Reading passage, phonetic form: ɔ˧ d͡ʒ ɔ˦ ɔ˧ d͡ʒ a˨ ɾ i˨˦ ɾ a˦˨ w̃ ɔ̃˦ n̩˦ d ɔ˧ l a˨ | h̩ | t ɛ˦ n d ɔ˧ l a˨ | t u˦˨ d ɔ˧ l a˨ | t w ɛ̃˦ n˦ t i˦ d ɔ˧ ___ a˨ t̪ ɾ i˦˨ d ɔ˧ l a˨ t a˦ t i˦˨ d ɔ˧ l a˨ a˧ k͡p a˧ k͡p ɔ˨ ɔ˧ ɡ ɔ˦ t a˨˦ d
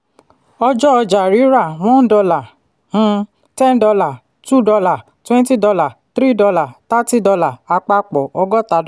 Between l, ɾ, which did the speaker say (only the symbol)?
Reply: l